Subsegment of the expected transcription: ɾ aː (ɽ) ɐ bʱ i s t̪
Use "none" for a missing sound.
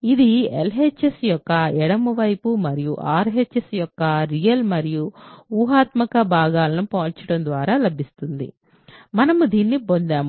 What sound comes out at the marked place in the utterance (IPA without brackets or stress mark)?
l